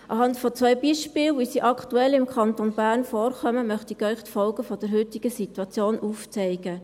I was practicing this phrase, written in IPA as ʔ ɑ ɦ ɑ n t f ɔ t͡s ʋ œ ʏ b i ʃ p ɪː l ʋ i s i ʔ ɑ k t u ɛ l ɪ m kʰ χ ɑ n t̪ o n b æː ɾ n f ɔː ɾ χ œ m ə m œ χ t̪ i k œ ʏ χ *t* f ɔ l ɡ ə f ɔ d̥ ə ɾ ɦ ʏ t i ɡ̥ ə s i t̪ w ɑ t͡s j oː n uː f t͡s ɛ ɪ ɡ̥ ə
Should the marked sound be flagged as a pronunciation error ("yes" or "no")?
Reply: no